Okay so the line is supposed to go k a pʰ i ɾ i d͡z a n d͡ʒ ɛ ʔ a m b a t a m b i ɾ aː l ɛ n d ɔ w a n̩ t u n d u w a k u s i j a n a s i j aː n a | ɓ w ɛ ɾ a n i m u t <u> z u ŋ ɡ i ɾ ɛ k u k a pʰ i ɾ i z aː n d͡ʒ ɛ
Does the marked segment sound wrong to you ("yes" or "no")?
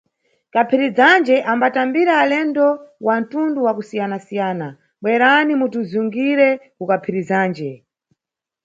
no